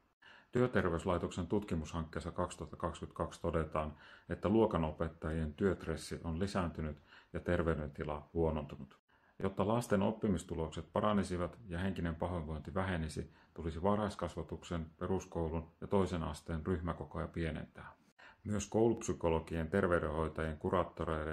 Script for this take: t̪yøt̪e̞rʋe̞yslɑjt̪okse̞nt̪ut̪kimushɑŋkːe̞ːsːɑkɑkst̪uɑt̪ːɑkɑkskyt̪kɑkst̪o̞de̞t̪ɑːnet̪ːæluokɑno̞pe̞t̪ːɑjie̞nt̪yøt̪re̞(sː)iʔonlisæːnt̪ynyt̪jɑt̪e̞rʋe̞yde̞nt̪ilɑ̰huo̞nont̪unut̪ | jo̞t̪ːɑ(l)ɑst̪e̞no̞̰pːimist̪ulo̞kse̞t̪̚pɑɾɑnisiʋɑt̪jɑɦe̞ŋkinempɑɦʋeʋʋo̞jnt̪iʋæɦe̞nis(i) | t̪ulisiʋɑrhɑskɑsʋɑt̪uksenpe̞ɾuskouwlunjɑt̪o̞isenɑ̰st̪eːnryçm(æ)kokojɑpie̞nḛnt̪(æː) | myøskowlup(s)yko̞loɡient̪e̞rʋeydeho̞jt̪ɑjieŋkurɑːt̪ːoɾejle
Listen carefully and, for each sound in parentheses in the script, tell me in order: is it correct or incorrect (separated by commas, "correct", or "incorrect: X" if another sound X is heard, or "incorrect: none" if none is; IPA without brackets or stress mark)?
correct, correct, correct, correct, correct, correct